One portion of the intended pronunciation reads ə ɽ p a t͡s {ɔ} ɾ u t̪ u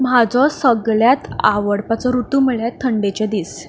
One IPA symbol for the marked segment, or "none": ɔ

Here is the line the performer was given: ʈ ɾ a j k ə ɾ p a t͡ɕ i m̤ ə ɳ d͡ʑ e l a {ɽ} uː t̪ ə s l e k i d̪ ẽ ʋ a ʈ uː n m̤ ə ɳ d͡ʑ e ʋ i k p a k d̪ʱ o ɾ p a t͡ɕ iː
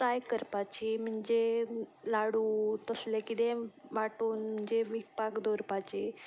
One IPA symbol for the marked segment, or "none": ɽ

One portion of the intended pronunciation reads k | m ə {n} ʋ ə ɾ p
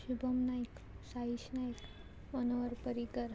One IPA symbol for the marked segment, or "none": n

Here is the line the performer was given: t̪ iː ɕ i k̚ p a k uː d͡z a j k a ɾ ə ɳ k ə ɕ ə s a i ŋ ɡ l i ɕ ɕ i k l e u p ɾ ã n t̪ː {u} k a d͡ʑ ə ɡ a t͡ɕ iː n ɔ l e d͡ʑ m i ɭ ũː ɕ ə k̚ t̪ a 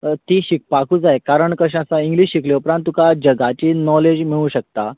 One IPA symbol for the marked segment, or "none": u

